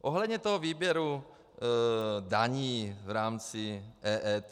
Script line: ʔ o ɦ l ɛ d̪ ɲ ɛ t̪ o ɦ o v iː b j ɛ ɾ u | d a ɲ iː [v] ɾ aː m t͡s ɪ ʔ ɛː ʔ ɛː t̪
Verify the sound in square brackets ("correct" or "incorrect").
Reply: correct